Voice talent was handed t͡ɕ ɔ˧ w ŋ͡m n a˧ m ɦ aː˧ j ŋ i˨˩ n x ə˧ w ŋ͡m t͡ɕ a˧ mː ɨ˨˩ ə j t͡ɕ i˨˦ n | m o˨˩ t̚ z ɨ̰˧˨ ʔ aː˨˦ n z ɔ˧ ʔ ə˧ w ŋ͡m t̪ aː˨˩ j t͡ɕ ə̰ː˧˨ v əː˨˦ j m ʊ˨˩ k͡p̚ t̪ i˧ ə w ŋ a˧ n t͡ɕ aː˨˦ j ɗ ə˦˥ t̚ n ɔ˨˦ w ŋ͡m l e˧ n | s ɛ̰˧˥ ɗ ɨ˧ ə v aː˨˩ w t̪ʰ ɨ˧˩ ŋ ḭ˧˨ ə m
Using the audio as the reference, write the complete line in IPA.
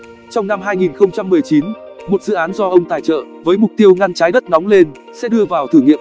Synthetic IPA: t͡ɕ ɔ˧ w ŋ͡m n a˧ m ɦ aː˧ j ŋ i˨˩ n x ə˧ w ŋ͡m t͡ɕ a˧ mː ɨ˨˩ ə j t͡ɕ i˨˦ n | m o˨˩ t̚ z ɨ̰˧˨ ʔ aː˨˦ n z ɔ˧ ʔ ə˧ w ŋ͡m t̪ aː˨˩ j t͡ɕ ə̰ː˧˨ v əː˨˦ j m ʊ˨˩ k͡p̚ t̪ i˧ ə w ŋ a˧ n t͡ɕ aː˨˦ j ɗ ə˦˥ t̚ n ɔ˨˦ w ŋ͡m l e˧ n | s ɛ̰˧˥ ɗ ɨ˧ ə v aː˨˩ w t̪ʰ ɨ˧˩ ŋ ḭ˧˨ ə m